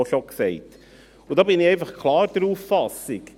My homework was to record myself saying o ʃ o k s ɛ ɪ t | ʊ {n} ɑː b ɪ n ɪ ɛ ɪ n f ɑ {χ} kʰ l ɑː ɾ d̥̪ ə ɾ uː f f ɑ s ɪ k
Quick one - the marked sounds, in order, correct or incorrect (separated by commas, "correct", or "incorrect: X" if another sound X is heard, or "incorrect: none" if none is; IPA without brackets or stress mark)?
incorrect: d, correct